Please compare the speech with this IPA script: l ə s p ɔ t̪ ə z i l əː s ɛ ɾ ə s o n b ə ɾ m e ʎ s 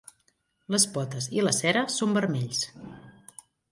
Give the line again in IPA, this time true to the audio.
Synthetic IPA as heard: l ə s p ɔ t̪ ə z i l ə s ɛ ɾ ə s o m b ə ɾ m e ʎ s